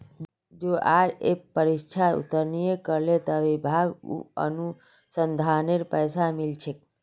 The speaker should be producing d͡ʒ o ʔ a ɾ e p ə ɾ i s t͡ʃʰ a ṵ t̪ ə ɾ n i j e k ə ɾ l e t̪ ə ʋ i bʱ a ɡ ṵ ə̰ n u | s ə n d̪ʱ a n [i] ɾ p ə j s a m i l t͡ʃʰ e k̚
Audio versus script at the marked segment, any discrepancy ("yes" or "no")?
yes